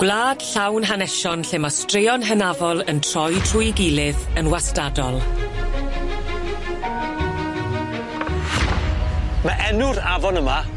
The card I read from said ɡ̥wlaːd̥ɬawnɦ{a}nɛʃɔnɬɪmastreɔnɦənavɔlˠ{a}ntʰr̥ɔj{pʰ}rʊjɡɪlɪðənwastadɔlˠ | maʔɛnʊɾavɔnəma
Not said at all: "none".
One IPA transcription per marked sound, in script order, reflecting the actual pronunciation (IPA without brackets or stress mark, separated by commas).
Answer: a, ə, tʰ